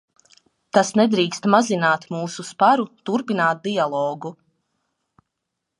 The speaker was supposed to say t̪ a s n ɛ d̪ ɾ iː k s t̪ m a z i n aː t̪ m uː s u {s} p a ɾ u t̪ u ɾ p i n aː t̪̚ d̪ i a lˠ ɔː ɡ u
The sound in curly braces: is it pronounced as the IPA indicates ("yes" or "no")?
yes